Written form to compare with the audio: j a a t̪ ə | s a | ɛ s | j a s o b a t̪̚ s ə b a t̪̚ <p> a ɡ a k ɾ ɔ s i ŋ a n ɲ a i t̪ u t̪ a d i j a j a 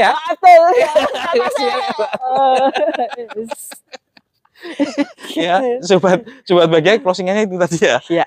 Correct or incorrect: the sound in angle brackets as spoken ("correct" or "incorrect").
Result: incorrect